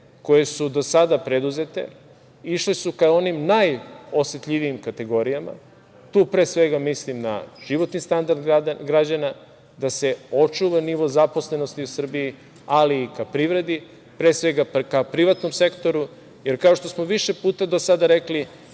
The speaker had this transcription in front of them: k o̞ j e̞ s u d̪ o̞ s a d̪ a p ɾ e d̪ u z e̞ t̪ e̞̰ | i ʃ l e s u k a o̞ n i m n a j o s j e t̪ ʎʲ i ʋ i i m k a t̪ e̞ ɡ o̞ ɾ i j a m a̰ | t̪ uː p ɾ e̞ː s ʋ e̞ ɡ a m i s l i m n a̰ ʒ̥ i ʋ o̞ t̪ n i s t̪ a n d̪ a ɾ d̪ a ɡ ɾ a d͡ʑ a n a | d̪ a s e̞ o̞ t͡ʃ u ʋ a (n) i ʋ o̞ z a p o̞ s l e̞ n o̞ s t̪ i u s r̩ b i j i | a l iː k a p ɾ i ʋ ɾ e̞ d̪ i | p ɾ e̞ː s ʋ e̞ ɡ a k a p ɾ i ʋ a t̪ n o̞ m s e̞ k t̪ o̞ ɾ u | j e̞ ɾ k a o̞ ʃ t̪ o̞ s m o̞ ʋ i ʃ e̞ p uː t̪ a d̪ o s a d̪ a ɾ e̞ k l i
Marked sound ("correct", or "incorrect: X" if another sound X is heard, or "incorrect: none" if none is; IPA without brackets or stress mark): correct